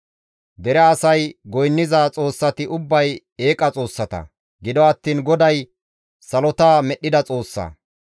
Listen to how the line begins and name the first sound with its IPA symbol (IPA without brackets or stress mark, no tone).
d̪